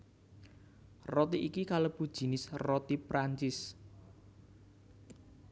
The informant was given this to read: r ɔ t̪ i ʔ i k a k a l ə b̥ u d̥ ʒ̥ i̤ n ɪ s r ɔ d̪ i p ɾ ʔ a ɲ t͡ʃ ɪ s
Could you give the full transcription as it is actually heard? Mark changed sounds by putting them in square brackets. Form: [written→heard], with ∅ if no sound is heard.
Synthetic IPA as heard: r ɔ t̪ i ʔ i k [a→i] k a l ə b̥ u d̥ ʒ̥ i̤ n ɪ s r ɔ [d̪→t̪] i p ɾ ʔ a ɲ t͡ʃ ɪ s